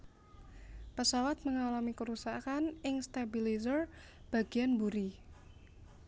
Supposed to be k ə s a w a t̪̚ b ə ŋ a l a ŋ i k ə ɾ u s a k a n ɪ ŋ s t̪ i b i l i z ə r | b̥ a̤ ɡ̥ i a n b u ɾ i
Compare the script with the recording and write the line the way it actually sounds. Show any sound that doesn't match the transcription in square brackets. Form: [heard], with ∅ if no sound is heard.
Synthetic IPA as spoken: [p] ə s a w a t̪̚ [m] ə ŋ a l a [m] i k ə ɾ u s a k a n ɪ ŋ s t̪ [a] b i l i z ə r | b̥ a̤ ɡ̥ i a n b u ɾ i